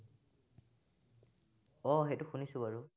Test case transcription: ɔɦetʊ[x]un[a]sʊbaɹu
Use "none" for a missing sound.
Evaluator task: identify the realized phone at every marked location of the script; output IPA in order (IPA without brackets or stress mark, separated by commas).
x, i